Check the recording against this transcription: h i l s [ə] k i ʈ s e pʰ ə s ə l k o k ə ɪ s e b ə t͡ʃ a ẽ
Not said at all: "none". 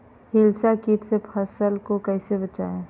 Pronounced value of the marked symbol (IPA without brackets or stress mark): a